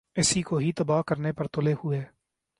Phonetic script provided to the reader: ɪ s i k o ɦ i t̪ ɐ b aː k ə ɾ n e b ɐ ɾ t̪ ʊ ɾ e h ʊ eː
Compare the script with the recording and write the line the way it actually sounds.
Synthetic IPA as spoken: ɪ s i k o ɦ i t̪ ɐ b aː k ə ɾ n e p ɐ ɾ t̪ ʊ l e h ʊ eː